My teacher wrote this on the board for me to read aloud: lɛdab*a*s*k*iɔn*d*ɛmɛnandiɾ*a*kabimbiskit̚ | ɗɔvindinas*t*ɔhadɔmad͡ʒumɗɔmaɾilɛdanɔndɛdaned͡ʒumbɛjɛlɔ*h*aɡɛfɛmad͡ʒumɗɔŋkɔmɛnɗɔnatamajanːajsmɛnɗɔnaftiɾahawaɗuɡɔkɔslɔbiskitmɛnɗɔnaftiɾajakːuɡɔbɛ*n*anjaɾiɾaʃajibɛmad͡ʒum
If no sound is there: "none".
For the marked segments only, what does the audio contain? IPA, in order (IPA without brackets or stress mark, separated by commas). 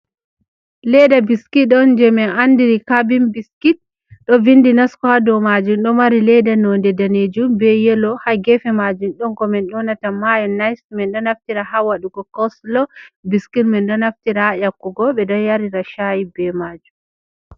i, k, d͡ʒ, i, k, h, d